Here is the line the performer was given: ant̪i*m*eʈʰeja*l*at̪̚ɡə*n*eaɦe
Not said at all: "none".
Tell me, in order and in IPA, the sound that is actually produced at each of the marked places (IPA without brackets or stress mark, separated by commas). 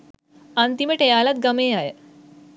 m, l, m